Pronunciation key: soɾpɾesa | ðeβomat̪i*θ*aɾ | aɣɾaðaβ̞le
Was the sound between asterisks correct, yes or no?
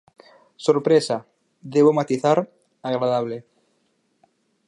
yes